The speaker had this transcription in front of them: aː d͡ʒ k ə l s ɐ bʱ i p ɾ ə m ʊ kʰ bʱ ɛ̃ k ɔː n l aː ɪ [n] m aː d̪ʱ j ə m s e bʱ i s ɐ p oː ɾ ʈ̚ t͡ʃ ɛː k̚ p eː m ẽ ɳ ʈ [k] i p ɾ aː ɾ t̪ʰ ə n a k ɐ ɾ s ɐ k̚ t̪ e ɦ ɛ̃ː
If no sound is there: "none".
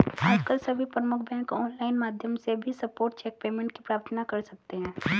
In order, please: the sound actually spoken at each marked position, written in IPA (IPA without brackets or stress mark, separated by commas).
n, k